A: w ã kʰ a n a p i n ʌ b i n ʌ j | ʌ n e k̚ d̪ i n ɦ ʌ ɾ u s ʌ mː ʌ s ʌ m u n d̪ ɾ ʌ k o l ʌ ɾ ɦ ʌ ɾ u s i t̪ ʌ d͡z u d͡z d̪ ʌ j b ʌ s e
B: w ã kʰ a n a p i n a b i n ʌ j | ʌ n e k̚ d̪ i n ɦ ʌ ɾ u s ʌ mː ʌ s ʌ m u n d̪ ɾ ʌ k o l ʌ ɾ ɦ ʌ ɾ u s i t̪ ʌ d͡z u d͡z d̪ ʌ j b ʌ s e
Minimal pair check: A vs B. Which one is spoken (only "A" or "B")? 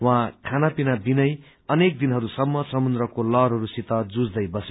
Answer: B